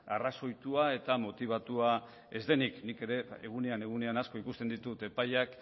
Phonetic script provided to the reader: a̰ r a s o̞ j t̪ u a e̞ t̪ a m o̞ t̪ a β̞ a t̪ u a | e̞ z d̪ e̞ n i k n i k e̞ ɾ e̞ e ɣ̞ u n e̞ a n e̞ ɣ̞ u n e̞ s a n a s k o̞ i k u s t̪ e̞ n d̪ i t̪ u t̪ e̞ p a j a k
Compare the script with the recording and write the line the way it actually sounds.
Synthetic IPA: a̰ r a s o̞ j t̪ u a e̞ t̪ a m o̞ t̪ i β̞ a t̪ u a | e̞ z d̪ e̞ n i k n i k e̞ ɾ e̞ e ɣ̞ u n e̞ a n e̞ ɣ̞ u n e̞ a n a s k o̞ i k u s t̪ e̞ n d̪ i t̪ u t̪ e̞ p a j a k